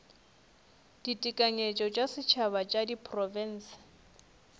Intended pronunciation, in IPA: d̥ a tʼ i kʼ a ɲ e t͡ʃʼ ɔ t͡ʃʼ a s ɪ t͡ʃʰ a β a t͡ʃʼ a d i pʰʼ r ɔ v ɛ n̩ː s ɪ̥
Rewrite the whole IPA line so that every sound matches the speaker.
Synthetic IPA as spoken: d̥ i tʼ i kʼ a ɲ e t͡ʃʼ ɔ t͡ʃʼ a s ɪ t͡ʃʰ a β a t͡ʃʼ a d i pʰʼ r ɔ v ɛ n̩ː s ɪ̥